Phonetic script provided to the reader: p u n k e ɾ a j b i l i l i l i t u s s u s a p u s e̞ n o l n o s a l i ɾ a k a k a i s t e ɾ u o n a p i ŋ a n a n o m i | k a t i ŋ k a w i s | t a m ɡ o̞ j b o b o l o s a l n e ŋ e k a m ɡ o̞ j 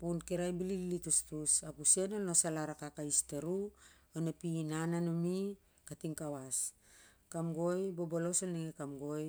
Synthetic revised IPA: p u n k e ɾ a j b i l i l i l i t u s t u s a p u s e̞ n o l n o s a l a ɾ a k a k a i s t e ɾ u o n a p i n a n a n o m i | k a t i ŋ k a w a s | k a m ɡ o̞ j b o b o l o s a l n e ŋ e k a m ɡ o̞ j

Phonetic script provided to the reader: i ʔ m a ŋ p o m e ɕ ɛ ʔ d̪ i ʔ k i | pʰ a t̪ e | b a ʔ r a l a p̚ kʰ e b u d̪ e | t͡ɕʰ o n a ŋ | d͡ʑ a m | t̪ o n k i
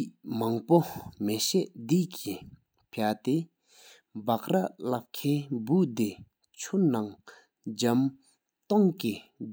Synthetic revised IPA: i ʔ m a ŋ p o m e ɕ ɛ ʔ d̪ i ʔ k i | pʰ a t̪ e | b a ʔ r a l a p̚ kʰ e b u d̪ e | t͡ɕʰ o n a ŋ | d͡ʑ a m | t̪ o ŋ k i

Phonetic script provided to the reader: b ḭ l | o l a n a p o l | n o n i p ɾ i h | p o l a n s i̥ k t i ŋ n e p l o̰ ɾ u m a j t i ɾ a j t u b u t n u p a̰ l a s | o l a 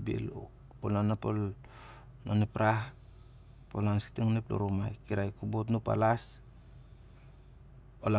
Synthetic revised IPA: b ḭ l | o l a n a p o l | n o n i p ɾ a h | p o l a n s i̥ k t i ŋ n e p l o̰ ɾ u m a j k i ɾ a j k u b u t n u p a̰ l a s | o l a

